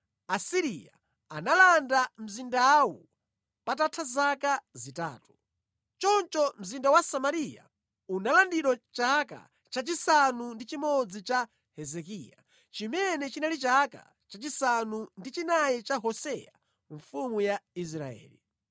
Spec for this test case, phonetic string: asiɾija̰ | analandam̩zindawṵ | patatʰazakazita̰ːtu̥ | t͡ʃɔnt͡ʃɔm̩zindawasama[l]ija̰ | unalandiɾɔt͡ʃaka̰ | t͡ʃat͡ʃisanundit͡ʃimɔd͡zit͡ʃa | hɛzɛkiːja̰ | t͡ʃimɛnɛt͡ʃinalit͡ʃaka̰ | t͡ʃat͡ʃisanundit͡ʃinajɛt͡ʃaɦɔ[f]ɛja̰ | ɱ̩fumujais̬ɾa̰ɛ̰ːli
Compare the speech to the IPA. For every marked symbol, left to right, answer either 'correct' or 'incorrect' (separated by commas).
incorrect, incorrect